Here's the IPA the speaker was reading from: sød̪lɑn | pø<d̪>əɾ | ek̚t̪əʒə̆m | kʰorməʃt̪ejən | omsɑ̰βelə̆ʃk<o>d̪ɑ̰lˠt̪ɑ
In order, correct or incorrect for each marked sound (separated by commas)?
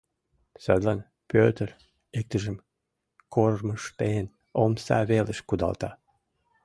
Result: incorrect, incorrect